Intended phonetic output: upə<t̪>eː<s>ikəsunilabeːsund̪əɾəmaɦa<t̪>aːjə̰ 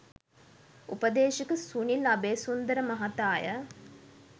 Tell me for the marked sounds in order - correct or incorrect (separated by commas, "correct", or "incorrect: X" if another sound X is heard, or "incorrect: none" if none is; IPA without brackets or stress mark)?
incorrect: d̪, incorrect: ʃ, correct